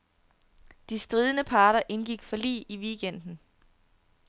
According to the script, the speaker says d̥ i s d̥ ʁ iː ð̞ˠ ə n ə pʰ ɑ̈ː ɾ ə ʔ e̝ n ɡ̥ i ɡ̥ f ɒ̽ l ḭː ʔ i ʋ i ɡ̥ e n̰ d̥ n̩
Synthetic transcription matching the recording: d̥ i s d̥ ʁ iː ð̞ˠ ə n ə pʰ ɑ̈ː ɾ ɐ ʔ e̝ n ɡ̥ i ɡ̥ f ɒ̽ l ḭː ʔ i ʋ i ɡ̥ e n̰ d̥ n̩